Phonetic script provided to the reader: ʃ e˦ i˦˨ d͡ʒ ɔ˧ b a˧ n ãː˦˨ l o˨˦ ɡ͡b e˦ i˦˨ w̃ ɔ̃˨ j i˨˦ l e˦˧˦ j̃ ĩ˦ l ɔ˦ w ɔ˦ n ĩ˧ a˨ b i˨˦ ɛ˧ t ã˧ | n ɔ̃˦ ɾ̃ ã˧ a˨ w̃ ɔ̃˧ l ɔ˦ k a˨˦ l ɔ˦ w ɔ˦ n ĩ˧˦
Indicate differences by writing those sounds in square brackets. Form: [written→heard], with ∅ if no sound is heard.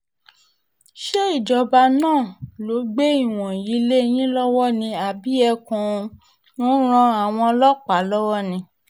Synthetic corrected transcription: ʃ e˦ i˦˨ d͡ʒ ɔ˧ b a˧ n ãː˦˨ l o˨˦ ɡ͡b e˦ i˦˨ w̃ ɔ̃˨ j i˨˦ l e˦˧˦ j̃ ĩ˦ l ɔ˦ w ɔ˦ n ĩ˧ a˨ b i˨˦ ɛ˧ [t→k] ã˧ | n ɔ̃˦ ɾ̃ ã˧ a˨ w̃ ɔ̃˧ l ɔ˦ [k→k͡p] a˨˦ l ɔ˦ w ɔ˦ n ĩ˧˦